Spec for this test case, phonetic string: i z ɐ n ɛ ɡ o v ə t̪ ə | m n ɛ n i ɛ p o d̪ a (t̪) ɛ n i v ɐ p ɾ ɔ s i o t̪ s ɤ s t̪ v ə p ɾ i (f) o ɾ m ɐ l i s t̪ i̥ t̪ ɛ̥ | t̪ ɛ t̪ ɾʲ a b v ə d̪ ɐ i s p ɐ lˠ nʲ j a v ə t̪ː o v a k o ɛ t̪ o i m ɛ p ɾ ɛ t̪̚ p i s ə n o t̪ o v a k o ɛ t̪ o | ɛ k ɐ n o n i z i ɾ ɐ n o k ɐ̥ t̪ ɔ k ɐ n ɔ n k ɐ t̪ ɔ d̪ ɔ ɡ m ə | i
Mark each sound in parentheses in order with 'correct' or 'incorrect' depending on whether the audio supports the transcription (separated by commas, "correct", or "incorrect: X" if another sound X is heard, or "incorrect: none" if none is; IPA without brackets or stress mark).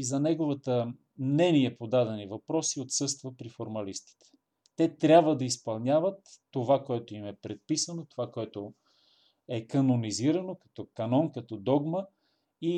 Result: incorrect: d̪, correct